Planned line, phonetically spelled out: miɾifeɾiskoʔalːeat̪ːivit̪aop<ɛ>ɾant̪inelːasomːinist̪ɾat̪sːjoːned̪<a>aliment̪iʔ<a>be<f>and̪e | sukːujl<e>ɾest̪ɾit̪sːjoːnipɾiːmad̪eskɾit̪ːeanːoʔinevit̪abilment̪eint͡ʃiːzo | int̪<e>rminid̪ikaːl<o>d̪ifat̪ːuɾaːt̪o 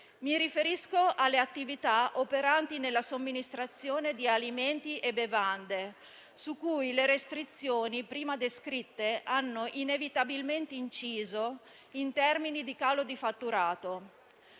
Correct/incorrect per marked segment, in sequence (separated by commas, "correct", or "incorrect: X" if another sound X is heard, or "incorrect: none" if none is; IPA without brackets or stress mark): incorrect: e, incorrect: i, incorrect: e, incorrect: v, correct, incorrect: ɛ, correct